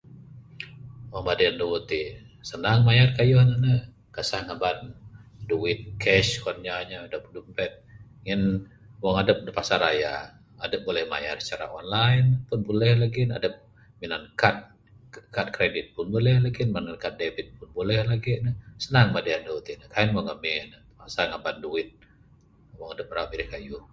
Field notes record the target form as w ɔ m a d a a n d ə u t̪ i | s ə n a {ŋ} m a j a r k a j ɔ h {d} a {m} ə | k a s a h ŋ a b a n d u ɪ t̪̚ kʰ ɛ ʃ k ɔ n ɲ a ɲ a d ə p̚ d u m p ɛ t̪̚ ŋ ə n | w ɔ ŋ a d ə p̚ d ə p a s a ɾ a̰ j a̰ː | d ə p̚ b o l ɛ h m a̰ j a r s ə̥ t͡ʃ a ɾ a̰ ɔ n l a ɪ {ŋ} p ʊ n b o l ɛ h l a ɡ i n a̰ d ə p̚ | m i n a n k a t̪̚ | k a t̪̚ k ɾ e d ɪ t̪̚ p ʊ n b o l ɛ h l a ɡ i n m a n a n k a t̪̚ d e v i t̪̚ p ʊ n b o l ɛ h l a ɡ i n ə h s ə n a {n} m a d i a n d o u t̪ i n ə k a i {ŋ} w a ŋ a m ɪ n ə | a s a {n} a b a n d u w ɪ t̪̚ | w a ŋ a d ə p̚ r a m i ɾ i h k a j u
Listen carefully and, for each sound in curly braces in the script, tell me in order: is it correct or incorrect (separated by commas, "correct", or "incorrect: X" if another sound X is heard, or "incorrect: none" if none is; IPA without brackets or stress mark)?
correct, incorrect: n, incorrect: n, incorrect: n, incorrect: ŋ, incorrect: n, incorrect: ŋ